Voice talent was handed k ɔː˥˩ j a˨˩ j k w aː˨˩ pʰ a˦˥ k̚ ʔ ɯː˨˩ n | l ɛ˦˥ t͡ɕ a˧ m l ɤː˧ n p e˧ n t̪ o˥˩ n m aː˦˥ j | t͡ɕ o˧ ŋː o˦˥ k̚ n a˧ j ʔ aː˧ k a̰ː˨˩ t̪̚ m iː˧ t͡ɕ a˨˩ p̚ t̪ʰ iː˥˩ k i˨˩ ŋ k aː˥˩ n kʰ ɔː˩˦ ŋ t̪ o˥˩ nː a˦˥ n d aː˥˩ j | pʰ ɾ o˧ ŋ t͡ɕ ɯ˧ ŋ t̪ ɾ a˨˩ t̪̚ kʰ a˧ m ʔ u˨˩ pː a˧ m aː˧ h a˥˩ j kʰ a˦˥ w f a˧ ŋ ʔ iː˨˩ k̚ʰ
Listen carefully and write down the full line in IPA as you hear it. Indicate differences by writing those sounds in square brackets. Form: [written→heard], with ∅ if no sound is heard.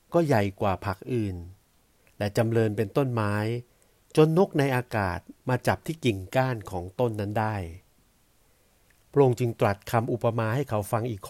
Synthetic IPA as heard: k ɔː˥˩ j a˨˩ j k w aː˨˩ pʰ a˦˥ k̚ ʔ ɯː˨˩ n | l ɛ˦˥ t͡ɕ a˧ m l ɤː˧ n p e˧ n t̪ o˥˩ n m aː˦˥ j | t͡ɕ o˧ [ŋː→nː] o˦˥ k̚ n a˧ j ʔ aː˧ k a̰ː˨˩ t̪̚ m [iː˧→aː˧] t͡ɕ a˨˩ p̚ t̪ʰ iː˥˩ k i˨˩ ŋ k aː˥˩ n kʰ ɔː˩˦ ŋ t̪ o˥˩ nː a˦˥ n d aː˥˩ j | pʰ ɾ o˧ ŋ t͡ɕ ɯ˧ ŋ t̪ ɾ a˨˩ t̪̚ kʰ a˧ m ʔ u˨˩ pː a˧ m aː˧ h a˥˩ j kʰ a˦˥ w f a˧ ŋ ʔ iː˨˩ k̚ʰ